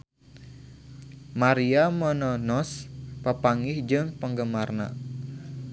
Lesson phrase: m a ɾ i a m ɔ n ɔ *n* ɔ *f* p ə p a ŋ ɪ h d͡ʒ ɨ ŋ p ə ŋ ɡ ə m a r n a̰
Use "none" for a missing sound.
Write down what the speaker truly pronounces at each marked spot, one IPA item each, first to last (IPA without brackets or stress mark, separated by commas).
n, s